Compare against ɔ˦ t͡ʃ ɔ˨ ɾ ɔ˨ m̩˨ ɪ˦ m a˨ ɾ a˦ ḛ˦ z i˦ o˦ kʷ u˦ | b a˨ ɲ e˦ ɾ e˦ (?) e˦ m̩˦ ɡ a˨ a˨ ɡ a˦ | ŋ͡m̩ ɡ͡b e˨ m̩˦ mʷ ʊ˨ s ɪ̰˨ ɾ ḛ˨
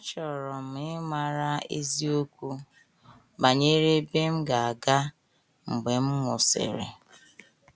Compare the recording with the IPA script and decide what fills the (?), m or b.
b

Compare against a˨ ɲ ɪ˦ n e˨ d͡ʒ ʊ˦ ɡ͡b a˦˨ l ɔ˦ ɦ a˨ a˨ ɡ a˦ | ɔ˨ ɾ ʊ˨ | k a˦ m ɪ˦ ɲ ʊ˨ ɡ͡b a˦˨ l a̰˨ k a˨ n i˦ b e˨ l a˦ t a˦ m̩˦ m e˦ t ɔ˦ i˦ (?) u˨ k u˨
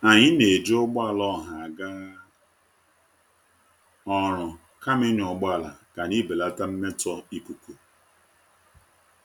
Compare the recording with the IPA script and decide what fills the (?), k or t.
k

